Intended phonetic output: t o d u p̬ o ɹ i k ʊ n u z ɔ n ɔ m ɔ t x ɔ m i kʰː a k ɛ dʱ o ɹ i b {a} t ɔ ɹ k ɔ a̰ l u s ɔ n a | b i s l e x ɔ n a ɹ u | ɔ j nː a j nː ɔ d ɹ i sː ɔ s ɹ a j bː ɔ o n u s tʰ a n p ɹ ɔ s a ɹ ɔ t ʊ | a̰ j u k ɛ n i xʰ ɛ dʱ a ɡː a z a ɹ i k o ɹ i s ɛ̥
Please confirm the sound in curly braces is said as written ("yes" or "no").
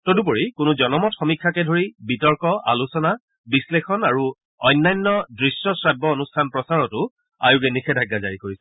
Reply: no